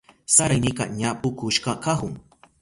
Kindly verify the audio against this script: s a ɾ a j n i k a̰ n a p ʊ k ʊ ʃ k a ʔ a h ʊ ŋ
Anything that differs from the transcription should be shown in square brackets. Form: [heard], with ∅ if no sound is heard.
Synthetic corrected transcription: s a ɾ a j n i k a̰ [ɲ] a p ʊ k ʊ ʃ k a [k] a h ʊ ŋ

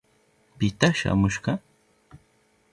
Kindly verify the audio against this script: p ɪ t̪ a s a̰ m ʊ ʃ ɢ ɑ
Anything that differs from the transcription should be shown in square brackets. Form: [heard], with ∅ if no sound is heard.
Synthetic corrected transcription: p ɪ t̪ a [ʃ] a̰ m ʊ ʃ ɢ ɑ

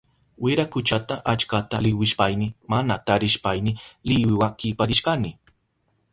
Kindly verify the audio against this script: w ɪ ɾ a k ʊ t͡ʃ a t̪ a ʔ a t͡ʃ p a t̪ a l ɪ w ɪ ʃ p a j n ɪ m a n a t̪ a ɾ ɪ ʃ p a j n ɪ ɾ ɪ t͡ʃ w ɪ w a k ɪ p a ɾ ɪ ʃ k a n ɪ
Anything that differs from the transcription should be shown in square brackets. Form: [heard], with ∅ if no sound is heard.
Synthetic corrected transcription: w ɪ ɾ a k ʊ t͡ʃ a t̪ a ʔ a t͡ʃ [k] a t̪ a l ɪ w ɪ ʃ p a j n ɪ m a n a t̪ a ɾ ɪ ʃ p a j n ɪ [l] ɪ [∅] w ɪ w a k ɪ p a ɾ ɪ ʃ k a n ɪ

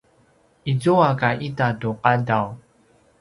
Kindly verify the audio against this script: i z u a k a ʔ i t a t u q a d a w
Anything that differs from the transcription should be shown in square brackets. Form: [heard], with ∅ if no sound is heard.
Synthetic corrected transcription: i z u a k a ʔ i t a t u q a d a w

